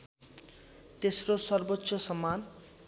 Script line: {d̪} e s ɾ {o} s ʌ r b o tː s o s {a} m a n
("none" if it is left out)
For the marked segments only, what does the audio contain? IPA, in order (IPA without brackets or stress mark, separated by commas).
t̪, o, ʌ